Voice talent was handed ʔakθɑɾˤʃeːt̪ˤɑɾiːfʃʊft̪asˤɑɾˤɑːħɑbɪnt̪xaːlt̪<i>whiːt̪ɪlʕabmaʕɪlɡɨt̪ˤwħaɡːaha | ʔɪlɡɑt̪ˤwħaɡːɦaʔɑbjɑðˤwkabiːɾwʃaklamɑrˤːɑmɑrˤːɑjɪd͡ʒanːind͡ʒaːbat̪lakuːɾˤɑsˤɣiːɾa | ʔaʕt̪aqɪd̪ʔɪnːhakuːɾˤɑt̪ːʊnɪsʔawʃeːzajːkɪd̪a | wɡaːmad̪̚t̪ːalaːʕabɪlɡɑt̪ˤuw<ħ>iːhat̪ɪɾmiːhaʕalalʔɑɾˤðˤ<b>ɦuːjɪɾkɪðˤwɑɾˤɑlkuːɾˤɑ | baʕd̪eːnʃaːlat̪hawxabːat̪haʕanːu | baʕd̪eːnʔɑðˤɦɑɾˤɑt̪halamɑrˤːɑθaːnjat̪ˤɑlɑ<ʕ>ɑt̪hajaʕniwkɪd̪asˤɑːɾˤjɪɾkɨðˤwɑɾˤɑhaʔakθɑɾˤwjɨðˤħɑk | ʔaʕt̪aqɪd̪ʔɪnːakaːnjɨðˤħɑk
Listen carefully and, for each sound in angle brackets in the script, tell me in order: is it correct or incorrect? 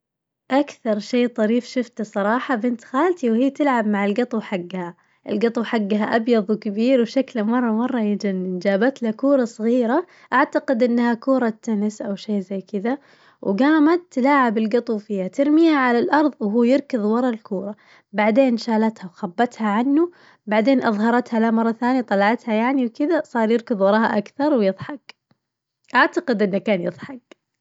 correct, incorrect, incorrect, correct

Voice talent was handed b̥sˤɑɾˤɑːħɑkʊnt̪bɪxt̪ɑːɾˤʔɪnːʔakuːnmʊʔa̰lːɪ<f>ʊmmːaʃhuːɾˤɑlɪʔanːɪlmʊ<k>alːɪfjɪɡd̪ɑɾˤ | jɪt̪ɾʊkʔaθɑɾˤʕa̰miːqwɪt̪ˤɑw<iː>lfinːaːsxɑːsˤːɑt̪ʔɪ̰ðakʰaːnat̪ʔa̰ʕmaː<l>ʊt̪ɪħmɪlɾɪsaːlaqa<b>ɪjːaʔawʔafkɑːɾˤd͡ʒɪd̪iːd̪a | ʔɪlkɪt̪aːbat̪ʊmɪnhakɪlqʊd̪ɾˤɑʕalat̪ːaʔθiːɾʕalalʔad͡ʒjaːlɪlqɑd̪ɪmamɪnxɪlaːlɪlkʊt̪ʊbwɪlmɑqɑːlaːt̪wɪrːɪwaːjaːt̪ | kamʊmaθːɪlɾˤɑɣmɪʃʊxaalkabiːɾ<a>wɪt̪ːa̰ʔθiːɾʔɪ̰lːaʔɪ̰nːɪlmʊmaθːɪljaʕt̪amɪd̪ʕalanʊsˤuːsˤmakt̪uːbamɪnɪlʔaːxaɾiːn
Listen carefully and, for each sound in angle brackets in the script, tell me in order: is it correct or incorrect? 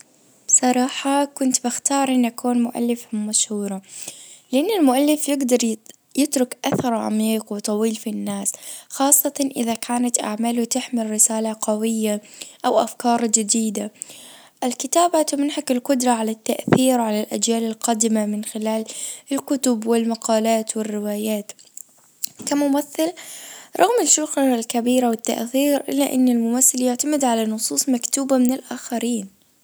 correct, incorrect, correct, correct, incorrect, correct

